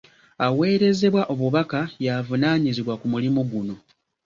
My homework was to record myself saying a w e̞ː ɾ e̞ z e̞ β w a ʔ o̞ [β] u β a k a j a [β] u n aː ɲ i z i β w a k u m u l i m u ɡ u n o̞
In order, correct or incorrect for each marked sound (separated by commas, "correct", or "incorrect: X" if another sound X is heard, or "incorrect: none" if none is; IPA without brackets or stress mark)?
correct, incorrect: v